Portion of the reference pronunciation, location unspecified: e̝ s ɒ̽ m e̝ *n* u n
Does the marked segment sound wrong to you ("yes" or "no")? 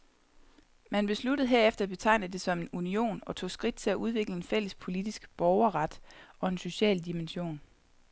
no